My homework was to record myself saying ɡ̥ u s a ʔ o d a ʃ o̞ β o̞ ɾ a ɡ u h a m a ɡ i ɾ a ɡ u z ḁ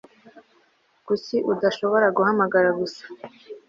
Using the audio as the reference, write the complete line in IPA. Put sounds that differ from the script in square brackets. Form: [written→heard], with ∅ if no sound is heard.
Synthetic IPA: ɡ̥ u s [a→i] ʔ [o→u] d a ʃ o̞ β o̞ ɾ a ɡ u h a m a ɡ [i→a] ɾ a ɡ u [z→s] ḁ

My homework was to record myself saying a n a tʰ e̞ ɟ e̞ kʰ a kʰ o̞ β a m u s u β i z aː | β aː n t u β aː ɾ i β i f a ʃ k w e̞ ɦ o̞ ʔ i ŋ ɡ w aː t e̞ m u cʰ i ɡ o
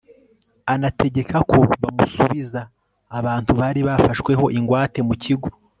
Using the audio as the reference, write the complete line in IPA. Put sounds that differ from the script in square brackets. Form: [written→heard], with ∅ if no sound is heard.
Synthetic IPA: a n a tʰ e̞ ɟ e̞ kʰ a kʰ o̞ β a m u s u β i z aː | β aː n t u β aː ɾ i β [i→a] f a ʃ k w e̞ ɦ o̞ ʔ i ŋ ɡ w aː t e̞ m u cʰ i ɡ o

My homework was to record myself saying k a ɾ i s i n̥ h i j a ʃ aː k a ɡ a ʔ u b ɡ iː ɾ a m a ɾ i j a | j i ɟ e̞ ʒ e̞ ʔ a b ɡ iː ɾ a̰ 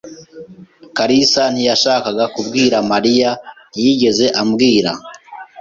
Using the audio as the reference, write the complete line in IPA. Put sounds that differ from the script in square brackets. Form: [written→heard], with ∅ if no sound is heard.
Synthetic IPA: k a ɾ i s [i→a] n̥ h i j a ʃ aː k a ɡ a [ʔ→k] u b ɡ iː ɾ a m a ɾ i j a | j i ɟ e̞ [ʒ→z] e̞ ʔ a [b→m] ɡ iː ɾ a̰

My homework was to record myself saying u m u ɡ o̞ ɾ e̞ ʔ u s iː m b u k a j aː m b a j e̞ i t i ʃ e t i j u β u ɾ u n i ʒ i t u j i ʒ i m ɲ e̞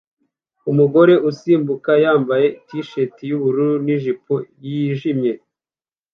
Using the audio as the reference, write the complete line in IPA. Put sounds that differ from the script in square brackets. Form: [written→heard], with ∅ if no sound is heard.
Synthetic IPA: u m u ɡ o̞ ɾ e̞ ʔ u s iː m b u k a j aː m b a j e̞ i t i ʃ e t i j u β u ɾ u n i ʒ i [t→p] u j i ʒ i m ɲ e̞

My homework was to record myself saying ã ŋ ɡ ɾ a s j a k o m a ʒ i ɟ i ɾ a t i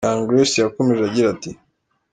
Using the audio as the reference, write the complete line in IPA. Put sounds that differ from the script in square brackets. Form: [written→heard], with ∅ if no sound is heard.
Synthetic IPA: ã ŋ ɡ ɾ [a→e] s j a k o m [a→e] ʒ [i→a] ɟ i ɾ a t i

